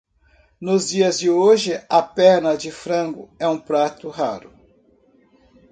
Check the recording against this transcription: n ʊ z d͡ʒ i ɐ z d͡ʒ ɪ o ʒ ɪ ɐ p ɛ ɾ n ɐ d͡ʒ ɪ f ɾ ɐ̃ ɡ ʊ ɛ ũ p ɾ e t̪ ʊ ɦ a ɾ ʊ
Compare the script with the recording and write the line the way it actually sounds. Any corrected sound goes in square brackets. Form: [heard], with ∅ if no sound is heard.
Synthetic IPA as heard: n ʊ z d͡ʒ i ɐ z d͡ʒ ɪ o ʒ ɪ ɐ p ɛ ɾ n ɐ d͡ʒ ɪ f ɾ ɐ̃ ɡ ʊ ɛ ũ p ɾ [a] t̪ ʊ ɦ a ɾ ʊ